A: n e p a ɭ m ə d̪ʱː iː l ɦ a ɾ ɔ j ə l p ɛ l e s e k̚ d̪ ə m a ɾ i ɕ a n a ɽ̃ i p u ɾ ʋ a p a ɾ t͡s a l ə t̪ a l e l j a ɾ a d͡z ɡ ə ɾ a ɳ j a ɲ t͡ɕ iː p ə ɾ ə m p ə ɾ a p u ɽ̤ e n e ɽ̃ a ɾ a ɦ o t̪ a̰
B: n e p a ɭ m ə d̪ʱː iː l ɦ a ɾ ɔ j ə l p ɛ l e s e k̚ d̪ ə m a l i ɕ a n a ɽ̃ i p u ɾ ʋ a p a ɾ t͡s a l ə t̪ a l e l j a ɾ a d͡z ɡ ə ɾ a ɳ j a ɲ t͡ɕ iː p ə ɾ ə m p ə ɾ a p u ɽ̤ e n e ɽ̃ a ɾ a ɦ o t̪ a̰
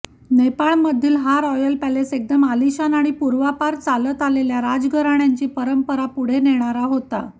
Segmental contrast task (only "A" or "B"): B